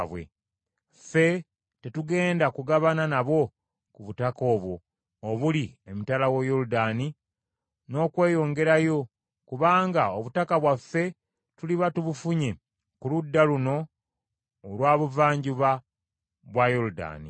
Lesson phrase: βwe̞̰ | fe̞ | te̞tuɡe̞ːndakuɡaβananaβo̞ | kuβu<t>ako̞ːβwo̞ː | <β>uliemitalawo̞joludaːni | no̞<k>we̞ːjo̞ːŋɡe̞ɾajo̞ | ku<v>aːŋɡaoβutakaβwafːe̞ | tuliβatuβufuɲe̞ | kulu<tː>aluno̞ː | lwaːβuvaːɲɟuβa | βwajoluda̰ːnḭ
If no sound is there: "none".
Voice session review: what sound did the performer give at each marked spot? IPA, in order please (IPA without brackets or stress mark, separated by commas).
t, β, k, β, dː